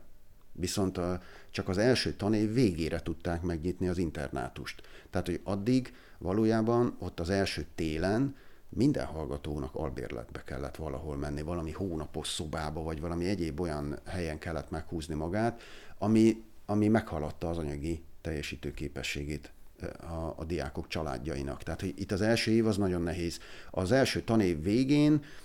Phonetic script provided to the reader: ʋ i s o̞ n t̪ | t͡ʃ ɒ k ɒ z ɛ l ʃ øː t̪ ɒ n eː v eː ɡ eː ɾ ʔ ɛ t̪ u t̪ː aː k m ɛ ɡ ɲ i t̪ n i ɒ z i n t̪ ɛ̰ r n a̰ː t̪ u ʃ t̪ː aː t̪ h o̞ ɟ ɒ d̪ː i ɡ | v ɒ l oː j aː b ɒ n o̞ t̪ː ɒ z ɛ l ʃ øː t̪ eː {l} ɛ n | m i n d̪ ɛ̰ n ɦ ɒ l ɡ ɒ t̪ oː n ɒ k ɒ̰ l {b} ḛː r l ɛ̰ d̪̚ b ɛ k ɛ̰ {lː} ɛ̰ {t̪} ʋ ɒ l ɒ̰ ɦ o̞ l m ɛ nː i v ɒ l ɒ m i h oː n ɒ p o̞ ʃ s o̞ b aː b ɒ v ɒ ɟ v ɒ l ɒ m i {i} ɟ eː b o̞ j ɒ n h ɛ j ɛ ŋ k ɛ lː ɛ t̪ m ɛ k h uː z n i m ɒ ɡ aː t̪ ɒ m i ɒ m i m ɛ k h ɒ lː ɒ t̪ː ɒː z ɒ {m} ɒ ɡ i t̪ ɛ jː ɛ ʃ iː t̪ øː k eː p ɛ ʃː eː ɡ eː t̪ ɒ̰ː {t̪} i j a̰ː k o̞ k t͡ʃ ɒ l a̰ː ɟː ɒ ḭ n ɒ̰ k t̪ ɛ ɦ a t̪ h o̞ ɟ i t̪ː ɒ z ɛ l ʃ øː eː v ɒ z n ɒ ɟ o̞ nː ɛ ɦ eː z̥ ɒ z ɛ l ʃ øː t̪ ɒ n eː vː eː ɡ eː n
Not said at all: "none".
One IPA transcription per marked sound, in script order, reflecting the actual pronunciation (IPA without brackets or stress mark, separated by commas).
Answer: l, b, lː, t̪, ɛ, ɲ, d̪